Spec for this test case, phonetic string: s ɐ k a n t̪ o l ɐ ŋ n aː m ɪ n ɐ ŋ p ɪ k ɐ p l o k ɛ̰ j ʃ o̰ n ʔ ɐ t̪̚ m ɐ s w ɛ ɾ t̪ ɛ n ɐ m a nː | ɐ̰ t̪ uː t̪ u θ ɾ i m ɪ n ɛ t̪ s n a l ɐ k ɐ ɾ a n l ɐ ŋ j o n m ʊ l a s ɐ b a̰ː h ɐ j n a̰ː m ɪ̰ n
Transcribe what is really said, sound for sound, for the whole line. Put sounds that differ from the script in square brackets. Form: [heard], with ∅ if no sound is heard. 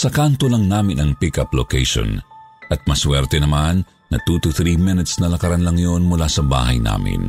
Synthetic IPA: s ɐ k a n t̪ o l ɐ ŋ n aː m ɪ n ɐ ŋ p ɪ k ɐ p l o k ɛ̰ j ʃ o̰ n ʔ ɐ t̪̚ m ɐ s w ɛ ɾ t̪ ɛ n ɐ m a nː | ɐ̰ t̪ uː t̪ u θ ɾ i m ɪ n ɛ t̪ s n [ɐ] l ɐ k ɐ ɾ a n l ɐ ŋ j o n m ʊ l a s ɐ b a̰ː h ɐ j n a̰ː m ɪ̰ n